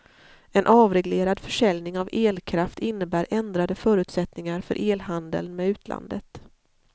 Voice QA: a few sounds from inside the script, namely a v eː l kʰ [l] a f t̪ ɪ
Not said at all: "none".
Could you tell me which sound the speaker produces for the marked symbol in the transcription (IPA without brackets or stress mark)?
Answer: ɾ